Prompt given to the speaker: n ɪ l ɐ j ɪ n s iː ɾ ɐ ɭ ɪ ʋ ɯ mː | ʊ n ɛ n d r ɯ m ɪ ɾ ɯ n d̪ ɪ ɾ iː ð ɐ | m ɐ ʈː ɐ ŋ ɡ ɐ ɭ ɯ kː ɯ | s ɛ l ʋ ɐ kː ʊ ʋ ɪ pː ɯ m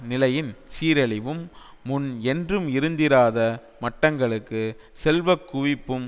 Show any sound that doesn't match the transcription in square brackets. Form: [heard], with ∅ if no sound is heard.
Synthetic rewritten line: n ɪ l ɐ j ɪ n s iː ɾ ɐ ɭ ɪ ʋ ɯ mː | ʊ n ɛ n d r ɯ m ɪ ɾ ɯ n d̪ ɪ ɾ [aː] ð ɐ | m ɐ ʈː ɐ ŋ ɡ ɐ ɭ ɯ kː ɯ | s ɛ l ʋ ɐ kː ʊ ʋ ɪ pː ɯ m